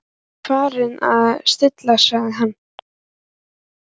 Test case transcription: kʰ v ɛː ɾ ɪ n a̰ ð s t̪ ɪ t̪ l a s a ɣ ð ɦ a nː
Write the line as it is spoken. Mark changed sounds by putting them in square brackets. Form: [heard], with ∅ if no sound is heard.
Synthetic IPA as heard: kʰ v [aː] ɾ ɪ n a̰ ð s t̪ ɪ t̪ l a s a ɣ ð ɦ a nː